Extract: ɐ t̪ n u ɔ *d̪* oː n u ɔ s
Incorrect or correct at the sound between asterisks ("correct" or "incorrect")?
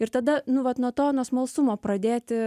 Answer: incorrect